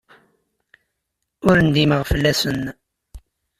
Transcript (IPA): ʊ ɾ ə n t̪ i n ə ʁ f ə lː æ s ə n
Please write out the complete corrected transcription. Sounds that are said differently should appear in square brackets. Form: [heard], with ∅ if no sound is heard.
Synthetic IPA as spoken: ʊ ɾ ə n [d̪] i [m] ə ʁ f ə lː æ s ə n

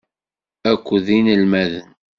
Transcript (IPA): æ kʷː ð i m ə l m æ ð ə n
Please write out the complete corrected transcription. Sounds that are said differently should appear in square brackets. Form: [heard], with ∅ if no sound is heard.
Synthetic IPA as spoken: æ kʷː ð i [n] ə l m æ ð ə n

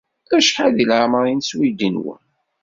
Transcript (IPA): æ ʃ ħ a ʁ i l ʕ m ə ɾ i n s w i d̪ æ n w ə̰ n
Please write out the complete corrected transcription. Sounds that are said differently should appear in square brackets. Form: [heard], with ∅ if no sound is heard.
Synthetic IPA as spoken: æ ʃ ħ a [ð] i l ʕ m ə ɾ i n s w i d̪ [i] n w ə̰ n

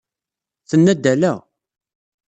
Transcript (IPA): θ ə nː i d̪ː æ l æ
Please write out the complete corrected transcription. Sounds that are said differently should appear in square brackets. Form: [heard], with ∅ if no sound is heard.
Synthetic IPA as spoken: θ ə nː [æ] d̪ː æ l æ

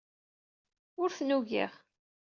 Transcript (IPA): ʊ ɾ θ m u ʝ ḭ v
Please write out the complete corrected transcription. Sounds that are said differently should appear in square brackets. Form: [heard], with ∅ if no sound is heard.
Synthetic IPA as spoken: ʊ ɾ θ [n] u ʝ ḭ [ʁ]

